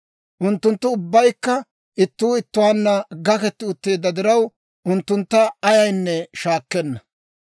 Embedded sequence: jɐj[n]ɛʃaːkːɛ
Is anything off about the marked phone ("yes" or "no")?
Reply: yes